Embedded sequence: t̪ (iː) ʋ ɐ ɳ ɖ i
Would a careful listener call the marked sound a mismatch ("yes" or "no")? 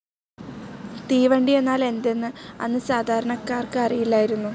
no